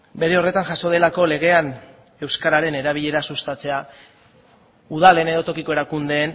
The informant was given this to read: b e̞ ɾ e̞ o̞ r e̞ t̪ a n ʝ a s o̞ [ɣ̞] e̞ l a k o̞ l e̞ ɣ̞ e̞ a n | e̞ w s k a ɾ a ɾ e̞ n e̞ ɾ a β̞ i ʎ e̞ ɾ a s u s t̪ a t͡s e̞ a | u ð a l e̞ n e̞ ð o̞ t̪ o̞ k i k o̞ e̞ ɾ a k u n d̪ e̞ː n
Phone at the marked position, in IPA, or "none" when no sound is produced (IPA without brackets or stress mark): ð̞